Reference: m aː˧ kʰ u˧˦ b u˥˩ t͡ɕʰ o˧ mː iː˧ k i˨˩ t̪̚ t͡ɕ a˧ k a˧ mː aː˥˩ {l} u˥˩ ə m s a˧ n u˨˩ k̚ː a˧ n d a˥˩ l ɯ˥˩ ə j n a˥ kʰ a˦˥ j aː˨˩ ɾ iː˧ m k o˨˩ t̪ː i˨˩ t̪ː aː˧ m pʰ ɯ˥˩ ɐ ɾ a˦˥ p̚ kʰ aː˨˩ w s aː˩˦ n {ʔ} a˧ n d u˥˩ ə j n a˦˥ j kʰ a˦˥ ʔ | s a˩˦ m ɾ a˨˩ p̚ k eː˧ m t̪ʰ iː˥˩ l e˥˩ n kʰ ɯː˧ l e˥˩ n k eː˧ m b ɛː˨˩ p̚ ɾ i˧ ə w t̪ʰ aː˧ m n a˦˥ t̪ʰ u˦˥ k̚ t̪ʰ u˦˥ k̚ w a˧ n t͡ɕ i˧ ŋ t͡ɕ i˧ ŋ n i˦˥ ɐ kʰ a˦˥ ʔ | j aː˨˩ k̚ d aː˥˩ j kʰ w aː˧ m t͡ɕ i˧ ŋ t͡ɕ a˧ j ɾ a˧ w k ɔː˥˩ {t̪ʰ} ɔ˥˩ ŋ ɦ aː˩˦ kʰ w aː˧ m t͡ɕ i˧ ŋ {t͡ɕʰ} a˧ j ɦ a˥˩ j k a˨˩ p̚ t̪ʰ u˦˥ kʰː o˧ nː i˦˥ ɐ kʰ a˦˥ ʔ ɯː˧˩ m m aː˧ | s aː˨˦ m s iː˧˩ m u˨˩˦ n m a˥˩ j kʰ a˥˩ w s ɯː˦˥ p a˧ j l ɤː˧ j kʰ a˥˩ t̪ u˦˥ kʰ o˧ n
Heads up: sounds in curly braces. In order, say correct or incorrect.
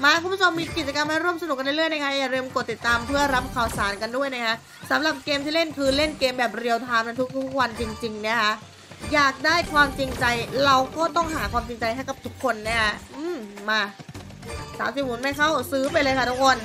incorrect, incorrect, incorrect, incorrect

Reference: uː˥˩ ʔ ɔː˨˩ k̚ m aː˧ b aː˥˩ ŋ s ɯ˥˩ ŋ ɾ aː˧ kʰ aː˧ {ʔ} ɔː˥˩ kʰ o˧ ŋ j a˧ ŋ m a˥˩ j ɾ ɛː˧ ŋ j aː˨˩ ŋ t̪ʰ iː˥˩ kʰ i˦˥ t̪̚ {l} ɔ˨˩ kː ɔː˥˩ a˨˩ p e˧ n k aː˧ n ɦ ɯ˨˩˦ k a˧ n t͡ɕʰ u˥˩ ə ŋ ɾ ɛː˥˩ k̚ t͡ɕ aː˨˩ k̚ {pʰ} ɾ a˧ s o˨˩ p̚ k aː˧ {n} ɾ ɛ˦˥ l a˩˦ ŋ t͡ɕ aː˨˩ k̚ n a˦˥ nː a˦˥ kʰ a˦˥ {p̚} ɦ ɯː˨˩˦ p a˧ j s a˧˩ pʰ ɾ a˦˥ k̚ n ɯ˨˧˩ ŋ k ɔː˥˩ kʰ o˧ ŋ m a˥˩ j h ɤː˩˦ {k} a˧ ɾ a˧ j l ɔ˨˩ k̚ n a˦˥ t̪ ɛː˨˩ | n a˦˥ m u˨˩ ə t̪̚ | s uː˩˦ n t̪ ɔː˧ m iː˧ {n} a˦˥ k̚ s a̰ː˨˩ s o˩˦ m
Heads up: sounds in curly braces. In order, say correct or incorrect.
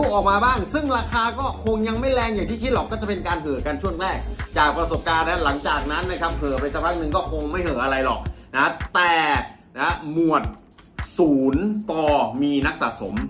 incorrect, correct, incorrect, correct, correct, incorrect, correct

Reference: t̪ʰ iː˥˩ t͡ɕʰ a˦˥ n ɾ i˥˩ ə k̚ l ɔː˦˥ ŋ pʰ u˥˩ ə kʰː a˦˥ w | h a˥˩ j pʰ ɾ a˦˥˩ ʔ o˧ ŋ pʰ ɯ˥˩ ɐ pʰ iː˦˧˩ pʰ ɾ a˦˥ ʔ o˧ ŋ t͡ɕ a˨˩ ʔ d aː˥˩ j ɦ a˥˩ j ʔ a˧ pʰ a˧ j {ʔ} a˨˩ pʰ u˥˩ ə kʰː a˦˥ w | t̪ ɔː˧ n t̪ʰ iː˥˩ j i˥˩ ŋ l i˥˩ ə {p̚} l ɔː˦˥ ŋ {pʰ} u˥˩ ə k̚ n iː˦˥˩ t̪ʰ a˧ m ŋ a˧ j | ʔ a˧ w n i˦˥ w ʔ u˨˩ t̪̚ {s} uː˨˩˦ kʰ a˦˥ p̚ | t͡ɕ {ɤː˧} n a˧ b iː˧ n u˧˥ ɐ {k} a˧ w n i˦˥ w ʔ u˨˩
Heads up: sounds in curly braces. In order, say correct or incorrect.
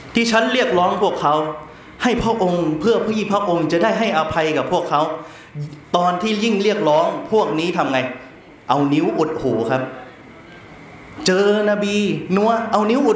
incorrect, incorrect, correct, incorrect, correct, incorrect

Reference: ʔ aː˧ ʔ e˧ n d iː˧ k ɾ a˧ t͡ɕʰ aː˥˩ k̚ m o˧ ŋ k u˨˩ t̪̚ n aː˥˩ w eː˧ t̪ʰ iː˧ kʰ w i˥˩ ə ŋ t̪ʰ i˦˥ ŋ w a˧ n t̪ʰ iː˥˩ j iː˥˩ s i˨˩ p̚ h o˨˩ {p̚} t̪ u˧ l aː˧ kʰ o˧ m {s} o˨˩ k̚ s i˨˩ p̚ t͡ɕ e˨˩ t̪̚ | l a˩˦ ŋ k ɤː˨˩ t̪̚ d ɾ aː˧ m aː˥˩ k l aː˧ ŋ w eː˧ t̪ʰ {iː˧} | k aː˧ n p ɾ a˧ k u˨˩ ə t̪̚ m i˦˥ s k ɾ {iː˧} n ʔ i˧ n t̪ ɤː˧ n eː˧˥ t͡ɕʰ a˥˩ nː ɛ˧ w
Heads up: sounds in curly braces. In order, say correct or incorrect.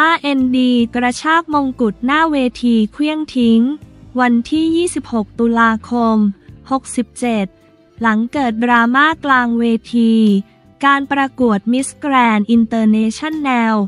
incorrect, incorrect, correct, incorrect

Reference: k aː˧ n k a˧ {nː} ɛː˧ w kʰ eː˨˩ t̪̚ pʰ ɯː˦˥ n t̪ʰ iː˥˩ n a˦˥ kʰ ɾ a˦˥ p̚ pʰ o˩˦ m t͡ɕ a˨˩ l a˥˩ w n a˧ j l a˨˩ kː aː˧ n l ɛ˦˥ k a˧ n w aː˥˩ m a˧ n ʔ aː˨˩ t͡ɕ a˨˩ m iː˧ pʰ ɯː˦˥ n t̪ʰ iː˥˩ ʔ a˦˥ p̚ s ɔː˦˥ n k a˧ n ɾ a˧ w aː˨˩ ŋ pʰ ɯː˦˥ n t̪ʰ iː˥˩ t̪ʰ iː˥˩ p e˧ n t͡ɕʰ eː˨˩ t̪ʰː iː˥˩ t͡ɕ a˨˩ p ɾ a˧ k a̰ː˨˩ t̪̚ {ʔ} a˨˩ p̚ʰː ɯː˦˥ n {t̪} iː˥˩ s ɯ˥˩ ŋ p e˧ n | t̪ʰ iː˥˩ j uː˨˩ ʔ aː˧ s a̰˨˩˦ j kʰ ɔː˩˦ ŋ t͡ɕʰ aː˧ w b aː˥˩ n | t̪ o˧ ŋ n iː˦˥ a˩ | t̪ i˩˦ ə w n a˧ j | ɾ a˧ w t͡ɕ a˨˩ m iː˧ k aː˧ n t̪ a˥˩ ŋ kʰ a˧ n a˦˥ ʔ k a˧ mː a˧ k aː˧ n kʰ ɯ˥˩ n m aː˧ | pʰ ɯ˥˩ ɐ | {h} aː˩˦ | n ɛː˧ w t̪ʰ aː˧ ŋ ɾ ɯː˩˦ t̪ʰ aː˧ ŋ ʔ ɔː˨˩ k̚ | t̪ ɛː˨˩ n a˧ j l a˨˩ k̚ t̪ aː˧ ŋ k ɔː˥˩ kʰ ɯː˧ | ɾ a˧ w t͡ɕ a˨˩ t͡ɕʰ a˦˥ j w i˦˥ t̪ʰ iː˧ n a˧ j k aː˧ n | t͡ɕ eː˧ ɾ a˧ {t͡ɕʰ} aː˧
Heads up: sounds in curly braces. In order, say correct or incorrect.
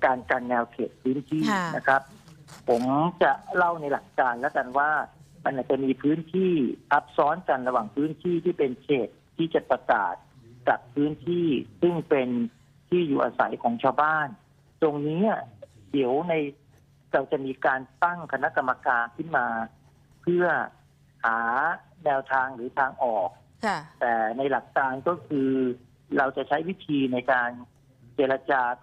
correct, incorrect, incorrect, correct, incorrect

